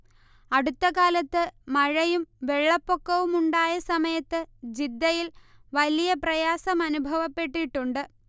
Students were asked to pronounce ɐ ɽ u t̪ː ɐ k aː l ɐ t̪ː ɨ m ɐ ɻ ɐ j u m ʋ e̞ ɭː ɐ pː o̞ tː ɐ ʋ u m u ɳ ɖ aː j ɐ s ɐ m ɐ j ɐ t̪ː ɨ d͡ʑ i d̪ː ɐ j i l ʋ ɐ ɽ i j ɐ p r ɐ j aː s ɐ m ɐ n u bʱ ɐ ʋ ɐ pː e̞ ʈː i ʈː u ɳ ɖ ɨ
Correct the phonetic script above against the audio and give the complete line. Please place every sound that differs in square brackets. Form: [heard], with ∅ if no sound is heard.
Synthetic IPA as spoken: ɐ ɽ u t̪ː ɐ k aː l ɐ t̪ː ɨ m ɐ ɻ ɐ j u m ʋ e̞ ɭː ɐ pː o̞ [kː] ɐ ʋ u m u ɳ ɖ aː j ɐ s ɐ m ɐ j ɐ t̪ː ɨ d͡ʑ i d̪ː ɐ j i l ʋ ɐ [l] i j ɐ p r ɐ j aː s ɐ m ɐ n u bʱ ɐ ʋ ɐ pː e̞ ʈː i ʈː u ɳ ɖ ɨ